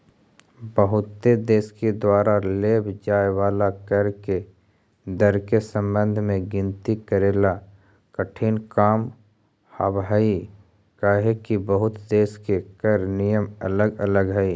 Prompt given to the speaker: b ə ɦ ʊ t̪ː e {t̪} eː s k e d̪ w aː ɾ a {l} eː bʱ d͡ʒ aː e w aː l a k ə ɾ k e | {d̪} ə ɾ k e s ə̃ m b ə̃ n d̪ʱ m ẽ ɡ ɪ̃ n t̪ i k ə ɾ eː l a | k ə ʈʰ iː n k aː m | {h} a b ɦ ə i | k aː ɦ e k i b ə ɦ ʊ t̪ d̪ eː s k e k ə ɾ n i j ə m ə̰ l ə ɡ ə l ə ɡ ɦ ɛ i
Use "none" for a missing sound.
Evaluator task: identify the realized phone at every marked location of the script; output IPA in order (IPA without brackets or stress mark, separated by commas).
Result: d̪, l, d̪, h